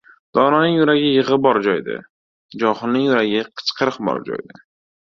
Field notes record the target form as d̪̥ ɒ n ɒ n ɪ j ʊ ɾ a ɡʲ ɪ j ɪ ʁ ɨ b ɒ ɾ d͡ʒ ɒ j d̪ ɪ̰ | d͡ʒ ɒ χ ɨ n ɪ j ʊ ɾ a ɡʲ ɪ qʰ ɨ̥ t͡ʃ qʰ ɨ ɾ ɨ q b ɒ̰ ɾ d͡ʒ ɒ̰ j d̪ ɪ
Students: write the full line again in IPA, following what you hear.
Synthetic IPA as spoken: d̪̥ ɒ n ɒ n ɪ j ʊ ɾ a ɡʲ ɪ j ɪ ʁ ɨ b ɒ ɾ d͡ʒ ɒ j d̪ ɪ̰ | d͡ʒ ɒ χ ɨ n ɪ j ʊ ɾ a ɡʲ ɪ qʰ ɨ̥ t͡ʃ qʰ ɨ ɾ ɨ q b ɒ̰ ɾ d͡ʒ ɒ̰ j d̪ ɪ